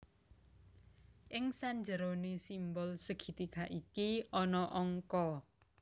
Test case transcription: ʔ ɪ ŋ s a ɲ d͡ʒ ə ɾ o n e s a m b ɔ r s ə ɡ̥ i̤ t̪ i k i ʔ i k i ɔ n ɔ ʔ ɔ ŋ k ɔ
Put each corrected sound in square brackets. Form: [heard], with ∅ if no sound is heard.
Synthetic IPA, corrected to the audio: ʔ ɪ ŋ s a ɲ d͡ʒ ə ɾ o n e s [i] m b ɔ [l] s ə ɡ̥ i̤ t̪ i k [a] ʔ i k i ɔ n ɔ ʔ ɔ ŋ k ɔ